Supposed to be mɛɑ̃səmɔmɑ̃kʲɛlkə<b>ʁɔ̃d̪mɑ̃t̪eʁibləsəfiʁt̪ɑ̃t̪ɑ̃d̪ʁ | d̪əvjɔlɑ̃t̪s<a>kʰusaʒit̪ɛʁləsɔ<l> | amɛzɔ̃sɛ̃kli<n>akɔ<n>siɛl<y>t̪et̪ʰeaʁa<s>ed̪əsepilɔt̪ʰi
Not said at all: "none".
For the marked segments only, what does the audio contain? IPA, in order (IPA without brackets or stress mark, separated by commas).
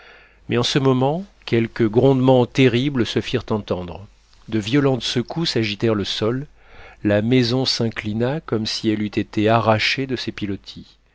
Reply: ɡ, ə, lː, n, m, y, ʃ